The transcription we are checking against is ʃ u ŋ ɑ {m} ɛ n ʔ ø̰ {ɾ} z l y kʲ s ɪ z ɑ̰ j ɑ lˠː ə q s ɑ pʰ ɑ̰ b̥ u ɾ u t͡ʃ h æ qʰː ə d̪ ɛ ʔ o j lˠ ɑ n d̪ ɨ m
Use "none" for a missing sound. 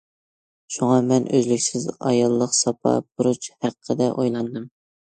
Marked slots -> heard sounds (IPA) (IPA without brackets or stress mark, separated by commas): m, none